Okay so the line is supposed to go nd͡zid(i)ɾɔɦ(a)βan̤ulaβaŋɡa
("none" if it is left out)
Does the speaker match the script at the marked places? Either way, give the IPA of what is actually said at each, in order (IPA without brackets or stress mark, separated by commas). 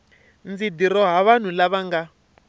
i, a